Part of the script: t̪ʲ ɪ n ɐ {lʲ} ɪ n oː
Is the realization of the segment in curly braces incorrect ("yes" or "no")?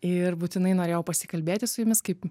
yes